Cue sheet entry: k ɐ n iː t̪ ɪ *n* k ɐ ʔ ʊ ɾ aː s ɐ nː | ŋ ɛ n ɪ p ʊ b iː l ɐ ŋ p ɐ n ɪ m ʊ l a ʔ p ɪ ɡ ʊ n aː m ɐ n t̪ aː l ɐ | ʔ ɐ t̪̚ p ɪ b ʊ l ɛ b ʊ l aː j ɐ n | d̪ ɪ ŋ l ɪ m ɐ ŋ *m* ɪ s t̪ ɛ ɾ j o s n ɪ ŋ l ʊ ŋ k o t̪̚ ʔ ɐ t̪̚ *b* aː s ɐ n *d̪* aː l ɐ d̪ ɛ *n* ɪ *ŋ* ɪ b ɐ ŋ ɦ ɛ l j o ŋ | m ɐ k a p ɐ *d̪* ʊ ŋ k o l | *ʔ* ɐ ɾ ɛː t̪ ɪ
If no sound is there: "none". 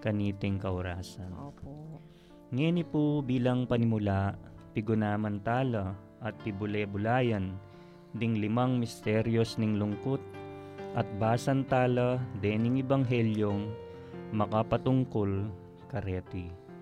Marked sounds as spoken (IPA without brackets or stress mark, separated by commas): ŋ, m, b, t̪, n, ŋ, t̪, k